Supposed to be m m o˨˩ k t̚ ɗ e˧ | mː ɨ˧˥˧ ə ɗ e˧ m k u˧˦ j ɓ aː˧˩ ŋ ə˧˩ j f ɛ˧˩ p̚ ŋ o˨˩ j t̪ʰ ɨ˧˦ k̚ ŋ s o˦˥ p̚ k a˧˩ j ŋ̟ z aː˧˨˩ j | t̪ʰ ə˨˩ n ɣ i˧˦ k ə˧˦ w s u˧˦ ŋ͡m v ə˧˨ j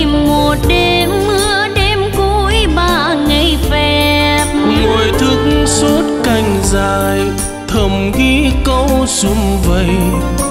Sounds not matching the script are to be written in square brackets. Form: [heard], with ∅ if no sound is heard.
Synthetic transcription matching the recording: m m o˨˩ [∅] t̚ ɗ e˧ | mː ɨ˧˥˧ ə ɗ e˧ m k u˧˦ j ɓ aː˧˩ ŋ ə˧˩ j f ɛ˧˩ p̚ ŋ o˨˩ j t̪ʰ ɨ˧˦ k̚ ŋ s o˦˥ [t̚] k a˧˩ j ŋ̟ z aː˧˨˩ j | t̪ʰ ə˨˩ [m] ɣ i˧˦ k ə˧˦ w s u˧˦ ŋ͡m v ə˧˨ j